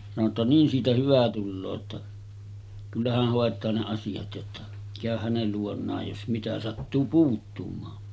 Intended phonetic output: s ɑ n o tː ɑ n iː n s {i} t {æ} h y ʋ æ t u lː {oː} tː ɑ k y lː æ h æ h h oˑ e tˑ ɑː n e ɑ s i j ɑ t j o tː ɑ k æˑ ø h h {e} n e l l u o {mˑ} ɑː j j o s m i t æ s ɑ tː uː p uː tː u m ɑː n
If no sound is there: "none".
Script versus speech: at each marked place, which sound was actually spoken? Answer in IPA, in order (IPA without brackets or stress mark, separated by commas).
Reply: iː, æ, oː, æ, nˑ